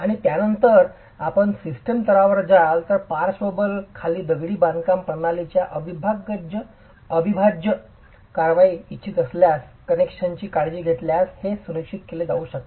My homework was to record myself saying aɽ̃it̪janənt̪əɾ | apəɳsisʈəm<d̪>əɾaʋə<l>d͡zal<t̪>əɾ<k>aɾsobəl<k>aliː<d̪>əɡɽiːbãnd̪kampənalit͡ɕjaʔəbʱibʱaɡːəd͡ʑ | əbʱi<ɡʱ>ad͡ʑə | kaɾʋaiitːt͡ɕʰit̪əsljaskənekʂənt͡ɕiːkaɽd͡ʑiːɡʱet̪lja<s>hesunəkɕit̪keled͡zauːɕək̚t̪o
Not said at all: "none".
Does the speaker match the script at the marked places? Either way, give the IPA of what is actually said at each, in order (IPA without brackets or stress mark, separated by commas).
t̪, ɾ, t̪, p, kʰ, d̪, bʱ, s